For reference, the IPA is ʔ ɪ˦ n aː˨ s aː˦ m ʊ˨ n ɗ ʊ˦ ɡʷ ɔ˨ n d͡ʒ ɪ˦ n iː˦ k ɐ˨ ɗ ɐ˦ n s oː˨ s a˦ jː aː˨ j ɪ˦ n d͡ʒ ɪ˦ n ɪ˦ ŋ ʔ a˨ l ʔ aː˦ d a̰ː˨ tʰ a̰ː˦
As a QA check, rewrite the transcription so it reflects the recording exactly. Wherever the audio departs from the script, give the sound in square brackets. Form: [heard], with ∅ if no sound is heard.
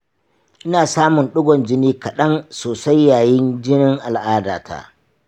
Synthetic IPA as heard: ʔ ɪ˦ n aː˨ s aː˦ m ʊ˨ n ɗ ʊ˦ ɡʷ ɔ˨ n d͡ʒ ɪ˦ n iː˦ k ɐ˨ ɗ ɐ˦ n s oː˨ s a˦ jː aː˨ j ɪ˦ n d͡ʒ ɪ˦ n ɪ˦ ŋ ʔ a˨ l ʔ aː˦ d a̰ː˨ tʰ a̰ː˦